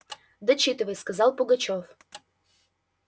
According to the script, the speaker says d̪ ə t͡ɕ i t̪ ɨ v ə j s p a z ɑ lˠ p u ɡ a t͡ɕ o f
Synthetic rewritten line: d̪ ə t͡ɕ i t̪ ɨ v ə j s k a z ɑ lˠ p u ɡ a t͡ɕ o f

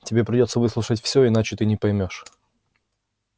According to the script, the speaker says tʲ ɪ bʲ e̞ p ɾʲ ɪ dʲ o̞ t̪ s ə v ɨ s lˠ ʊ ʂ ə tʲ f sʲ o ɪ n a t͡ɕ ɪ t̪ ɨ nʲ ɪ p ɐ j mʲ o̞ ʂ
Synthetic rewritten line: tʲ ɪ bʲ e̞ p ɾʲ ɪ dʲ o̞ t̪ s ə v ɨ s lˠ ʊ ʂ ə tʲ f sʲ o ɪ n a t͡ɕ ɪ t̪ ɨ nʲ ɪ p ɐ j mʲ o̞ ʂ

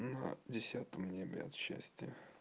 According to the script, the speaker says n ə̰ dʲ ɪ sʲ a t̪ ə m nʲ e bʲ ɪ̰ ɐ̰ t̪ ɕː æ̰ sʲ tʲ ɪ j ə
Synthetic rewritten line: n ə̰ dʲ ɪ sʲ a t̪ ə m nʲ e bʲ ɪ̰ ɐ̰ t̪ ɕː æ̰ sʲ tʲ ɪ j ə

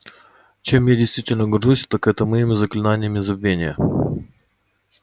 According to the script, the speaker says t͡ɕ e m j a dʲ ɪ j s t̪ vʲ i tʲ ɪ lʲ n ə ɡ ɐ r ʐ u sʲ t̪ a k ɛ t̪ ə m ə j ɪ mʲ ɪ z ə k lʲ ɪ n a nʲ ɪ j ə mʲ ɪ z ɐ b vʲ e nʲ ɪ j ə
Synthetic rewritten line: t͡ɕ e m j a dʲ ɪ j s t̪ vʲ i tʲ ɪ lʲ n ə ɡ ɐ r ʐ u sʲ t̪ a k ɛ t̪ ə m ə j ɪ mʲ ɪ z ə k lʲ ɪ n a nʲ ɪ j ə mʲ ɪ z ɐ b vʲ e nʲ ɪ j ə

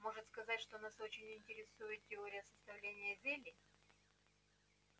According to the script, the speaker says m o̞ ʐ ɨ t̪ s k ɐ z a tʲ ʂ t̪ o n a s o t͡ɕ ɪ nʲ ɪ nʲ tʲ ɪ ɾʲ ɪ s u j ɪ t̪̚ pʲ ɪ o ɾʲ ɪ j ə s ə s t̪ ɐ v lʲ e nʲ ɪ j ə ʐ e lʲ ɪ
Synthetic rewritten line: m o̞ ʐ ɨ t̪ s k ɐ z a tʲ ʂ t̪ o n a s o t͡ɕ ɪ nʲ ɪ nʲ tʲ ɪ ɾʲ ɪ s u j ɪ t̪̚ tʲ ɪ o ɾʲ ɪ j ə s ə s t̪ ɐ v lʲ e nʲ ɪ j ə z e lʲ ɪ

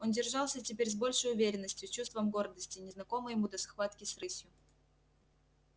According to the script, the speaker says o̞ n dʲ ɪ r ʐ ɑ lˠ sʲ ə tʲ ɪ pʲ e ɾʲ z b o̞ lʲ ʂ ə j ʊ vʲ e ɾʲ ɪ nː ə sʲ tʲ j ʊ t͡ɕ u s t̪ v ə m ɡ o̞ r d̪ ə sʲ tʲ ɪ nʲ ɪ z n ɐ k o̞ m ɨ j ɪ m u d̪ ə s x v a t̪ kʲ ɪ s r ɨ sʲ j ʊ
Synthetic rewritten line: o̞ n dʲ ɪ r ʐ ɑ lˠ sʲ ə tʲ ɪ pʲ e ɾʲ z b o̞ lʲ ʂ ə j ʊ vʲ e ɾʲ ɪ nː ə sʲ tʲ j ʊ t͡ɕ u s t̪ v ə m ɡ o̞ r d̪ ə sʲ tʲ ɪ nʲ ɪ z n ɐ k o̞ m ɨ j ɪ m u d̪ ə s x v a t̪ kʲ ɪ s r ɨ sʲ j ʊ

